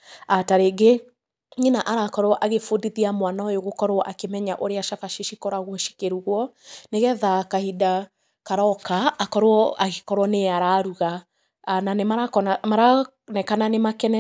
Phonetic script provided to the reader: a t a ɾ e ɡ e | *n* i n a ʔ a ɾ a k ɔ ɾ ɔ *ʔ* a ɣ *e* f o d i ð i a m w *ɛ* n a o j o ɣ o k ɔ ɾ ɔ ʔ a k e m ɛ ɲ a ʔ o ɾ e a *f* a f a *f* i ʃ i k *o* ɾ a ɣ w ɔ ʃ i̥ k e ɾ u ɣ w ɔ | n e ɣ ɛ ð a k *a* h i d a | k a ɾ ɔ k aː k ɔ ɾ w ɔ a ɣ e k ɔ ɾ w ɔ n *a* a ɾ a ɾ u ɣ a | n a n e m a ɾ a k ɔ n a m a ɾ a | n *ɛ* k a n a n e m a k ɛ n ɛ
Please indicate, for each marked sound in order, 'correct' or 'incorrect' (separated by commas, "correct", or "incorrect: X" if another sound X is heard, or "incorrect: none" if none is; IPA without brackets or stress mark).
incorrect: ɲ, correct, correct, incorrect: a, incorrect: ʃ, incorrect: ʃ, incorrect: ɔ, correct, incorrect: e, correct